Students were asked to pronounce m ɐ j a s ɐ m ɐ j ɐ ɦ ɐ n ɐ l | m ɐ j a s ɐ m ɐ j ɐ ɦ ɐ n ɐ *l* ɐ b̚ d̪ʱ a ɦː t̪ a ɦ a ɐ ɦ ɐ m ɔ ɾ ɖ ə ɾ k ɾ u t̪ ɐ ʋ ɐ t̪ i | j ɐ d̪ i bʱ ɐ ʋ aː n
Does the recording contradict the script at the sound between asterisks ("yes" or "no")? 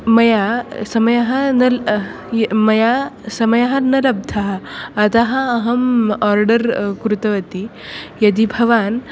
no